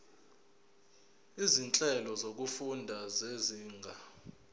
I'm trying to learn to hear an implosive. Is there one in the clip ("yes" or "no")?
no